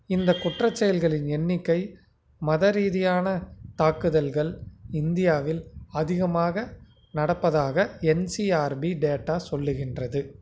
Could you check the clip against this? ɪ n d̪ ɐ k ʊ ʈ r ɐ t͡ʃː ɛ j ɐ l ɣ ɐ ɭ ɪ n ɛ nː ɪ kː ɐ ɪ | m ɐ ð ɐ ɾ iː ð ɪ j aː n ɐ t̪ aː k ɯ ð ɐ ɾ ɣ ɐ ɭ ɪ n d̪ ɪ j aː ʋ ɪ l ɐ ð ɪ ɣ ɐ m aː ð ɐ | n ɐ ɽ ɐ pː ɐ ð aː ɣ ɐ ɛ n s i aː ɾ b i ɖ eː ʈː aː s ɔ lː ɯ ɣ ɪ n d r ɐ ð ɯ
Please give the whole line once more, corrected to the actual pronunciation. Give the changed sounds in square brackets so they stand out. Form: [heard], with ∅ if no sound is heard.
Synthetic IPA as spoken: ɪ n d̪ ɐ k ʊ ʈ r ɐ t͡ʃː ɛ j ɐ l ɣ ɐ ɭ ɪ n ɛ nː ɪ kː ɐ ɪ | m ɐ ð ɐ ɾ iː ð ɪ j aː n ɐ t̪ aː k ɯ ð ɐ [l] ɣ ɐ ɭ ɪ n d̪ ɪ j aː ʋ ɪ l ɐ ð ɪ ɣ ɐ m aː [ɣ] ɐ | n ɐ ɽ ɐ pː ɐ ð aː ɣ ɐ ɛ n s i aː ɾ b i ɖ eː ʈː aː s ɔ lː ɯ ɣ ɪ n d r ɐ ð ɯ